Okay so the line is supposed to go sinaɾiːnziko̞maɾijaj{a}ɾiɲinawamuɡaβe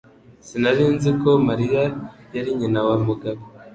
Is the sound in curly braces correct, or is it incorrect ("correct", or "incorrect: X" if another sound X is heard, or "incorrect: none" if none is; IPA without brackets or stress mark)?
correct